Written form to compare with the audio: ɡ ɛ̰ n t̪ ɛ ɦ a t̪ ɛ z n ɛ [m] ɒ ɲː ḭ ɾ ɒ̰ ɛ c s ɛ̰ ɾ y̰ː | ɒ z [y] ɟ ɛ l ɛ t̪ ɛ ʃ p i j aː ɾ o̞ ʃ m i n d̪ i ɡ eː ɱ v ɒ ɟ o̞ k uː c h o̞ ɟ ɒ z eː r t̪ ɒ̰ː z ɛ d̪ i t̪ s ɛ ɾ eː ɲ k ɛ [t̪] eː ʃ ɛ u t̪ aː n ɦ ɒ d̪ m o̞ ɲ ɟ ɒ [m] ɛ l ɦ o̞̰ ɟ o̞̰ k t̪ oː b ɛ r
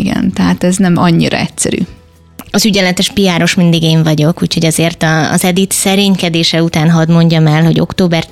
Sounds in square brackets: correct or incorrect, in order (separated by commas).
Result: correct, correct, incorrect, correct